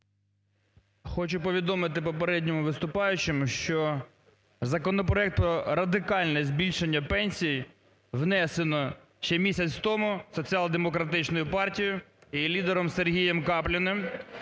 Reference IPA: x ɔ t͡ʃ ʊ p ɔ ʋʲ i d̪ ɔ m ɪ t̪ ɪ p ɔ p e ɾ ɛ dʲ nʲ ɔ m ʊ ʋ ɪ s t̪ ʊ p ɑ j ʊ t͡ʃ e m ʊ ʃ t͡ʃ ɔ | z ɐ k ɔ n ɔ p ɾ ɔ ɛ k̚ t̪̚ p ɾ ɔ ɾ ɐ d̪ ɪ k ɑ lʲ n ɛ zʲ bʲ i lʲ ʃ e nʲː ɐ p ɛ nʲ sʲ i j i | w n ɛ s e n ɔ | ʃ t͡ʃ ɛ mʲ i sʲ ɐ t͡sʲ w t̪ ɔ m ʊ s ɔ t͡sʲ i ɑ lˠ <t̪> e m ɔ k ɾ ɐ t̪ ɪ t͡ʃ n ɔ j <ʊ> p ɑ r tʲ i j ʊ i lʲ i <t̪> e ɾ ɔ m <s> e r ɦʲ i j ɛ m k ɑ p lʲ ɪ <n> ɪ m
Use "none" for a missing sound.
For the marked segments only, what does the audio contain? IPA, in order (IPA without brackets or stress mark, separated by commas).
d̪, ʊ, d̪, s, n